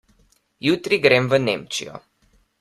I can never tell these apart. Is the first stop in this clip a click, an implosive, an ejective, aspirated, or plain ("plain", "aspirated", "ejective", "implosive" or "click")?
plain